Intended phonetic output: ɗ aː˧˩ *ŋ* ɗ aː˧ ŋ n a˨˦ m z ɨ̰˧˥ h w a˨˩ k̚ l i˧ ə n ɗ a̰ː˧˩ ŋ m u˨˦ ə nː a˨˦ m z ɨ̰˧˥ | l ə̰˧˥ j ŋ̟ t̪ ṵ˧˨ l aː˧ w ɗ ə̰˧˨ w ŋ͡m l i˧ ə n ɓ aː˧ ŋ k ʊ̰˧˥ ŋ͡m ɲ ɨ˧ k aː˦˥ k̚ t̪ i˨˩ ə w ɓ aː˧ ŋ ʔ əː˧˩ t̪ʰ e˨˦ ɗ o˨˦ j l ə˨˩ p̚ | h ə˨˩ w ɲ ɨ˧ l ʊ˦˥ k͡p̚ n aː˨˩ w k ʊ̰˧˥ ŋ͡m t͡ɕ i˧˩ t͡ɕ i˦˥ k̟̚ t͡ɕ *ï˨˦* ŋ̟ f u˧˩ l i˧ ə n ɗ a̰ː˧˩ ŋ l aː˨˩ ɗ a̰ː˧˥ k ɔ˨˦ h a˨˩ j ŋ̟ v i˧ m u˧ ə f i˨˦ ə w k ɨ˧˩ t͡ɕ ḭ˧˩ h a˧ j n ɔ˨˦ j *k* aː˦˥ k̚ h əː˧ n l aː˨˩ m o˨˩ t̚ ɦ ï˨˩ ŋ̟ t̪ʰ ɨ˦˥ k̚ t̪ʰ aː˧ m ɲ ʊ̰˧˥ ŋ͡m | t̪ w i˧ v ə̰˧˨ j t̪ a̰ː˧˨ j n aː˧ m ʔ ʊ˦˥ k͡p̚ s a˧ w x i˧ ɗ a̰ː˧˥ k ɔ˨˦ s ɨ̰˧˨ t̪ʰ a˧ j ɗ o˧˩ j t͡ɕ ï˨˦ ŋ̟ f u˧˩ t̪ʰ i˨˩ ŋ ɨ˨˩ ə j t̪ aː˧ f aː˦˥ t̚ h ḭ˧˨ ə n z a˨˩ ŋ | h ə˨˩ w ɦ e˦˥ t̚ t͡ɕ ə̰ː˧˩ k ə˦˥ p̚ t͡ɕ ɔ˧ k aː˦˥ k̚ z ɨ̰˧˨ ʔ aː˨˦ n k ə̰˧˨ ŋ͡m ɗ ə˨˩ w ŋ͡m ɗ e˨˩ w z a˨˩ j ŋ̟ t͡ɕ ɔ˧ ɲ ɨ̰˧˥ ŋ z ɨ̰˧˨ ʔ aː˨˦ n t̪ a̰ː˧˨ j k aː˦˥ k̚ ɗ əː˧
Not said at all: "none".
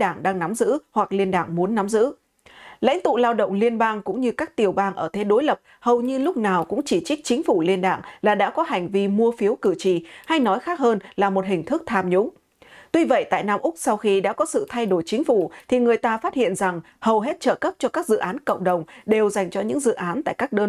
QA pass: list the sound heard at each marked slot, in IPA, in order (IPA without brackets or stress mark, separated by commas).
ŋ, ï˨˦, x